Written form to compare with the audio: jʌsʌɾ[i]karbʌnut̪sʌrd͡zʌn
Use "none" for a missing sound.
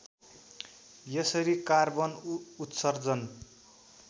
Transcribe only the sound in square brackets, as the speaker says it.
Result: i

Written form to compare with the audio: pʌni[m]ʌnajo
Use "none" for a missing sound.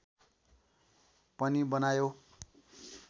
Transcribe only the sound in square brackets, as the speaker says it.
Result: b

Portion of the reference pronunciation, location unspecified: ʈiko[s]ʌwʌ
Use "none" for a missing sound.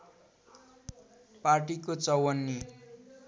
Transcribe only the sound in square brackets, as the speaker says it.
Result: t͡s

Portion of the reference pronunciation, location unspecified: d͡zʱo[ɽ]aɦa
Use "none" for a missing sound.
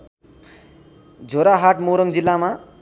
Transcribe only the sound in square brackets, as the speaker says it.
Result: ɾ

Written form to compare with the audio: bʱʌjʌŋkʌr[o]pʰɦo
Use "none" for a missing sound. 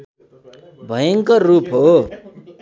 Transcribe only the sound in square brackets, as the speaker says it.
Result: u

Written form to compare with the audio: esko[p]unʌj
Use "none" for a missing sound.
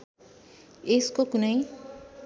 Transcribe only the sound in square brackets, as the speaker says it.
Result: k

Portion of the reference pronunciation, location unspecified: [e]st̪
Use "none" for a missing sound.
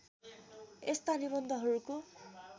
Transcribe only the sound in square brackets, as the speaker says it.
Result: e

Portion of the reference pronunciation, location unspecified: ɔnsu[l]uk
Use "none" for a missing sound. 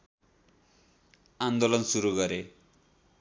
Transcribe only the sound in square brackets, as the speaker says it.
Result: ɾ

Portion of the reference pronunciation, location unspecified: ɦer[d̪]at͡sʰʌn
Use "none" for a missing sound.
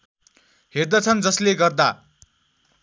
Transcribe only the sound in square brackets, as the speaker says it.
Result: d̪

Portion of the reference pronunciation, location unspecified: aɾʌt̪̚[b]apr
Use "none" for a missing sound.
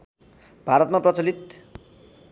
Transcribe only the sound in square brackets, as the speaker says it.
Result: m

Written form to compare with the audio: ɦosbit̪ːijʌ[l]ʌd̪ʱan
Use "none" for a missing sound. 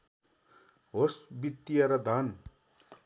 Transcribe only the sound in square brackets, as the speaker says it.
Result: ɾ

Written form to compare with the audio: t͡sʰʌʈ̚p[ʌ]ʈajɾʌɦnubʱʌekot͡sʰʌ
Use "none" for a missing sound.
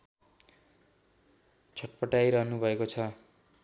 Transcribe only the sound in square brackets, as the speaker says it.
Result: ʌ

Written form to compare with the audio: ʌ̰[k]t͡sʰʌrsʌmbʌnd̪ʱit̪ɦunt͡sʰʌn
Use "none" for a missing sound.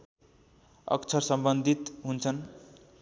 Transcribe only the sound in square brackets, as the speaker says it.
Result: k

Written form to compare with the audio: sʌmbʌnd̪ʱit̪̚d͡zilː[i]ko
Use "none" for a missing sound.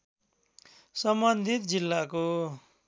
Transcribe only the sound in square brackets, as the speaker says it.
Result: a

